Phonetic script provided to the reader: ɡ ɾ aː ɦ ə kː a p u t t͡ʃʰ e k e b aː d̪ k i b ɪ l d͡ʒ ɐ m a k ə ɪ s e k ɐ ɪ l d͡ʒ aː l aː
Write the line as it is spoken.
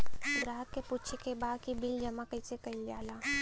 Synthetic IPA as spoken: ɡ ɾ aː ɦ ə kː e p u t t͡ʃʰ e k e b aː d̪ k i b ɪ l d͡ʒ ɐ m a k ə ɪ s e k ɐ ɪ l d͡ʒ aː l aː